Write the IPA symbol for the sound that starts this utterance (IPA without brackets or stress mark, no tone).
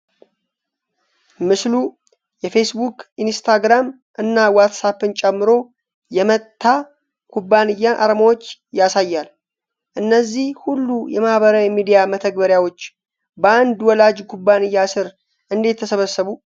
m